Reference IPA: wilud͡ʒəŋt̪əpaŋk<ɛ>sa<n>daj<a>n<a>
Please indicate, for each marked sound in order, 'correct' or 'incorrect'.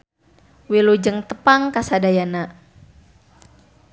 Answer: incorrect: a, incorrect: none, correct, correct

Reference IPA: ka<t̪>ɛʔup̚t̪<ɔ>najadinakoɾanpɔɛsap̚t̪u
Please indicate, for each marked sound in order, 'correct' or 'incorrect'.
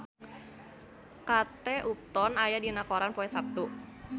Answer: correct, correct

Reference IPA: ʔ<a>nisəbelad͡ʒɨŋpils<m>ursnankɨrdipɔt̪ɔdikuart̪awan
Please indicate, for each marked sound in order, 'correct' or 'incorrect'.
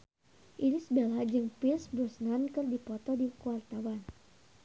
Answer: incorrect: i, incorrect: b

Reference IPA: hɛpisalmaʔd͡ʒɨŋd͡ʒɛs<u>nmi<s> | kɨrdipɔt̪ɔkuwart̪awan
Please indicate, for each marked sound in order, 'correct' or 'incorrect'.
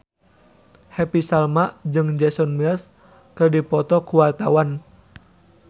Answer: incorrect: ɔ, correct

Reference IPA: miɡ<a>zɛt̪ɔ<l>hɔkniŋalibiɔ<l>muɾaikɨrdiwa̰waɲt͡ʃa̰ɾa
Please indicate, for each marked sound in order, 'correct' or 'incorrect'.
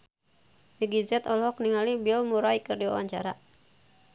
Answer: incorrect: i, correct, correct

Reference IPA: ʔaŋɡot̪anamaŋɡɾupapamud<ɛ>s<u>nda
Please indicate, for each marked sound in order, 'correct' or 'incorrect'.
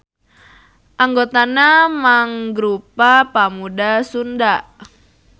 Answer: incorrect: a, correct

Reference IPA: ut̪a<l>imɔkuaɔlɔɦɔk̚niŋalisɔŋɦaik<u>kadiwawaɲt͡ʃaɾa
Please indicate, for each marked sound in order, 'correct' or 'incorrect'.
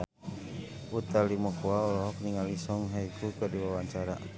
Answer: correct, correct

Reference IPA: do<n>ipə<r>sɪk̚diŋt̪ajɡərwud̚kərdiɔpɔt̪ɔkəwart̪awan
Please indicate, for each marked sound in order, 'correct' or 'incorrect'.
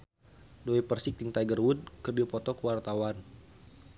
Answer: incorrect: none, correct

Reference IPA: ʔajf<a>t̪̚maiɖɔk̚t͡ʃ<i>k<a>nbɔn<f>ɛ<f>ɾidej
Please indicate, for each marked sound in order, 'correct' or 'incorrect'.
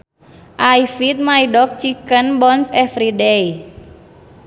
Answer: incorrect: i, correct, incorrect: ə, incorrect: s, correct

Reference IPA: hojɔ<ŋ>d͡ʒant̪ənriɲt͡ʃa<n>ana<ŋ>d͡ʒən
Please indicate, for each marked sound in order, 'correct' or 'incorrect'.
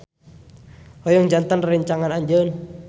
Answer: correct, incorrect: ŋ, incorrect: ɲ

